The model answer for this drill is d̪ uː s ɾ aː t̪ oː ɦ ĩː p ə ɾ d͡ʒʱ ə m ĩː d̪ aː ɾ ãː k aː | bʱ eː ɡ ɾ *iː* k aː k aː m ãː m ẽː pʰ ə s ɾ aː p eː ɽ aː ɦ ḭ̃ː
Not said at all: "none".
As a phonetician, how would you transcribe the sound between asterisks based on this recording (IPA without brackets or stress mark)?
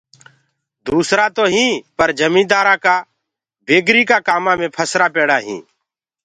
iː